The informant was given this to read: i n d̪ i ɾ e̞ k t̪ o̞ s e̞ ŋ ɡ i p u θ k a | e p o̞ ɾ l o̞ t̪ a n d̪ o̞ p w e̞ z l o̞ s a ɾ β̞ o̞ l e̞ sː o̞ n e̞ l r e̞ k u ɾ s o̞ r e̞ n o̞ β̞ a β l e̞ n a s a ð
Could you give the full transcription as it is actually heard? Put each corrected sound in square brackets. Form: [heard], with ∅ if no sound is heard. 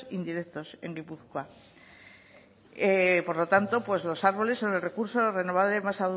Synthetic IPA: i n d̪ i ɾ e̞ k t̪ o̞ s e̞ ŋ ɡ i p u θ k a | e p o̞ ɾ l o̞ t̪ a n [t̪] o̞ p w e̞ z l o̞ s a ɾ β̞ o̞ l e̞ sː o̞ n e̞ l r e̞ k u ɾ s o̞ r e̞ n o̞ β̞ a β l e̞ [m] a s a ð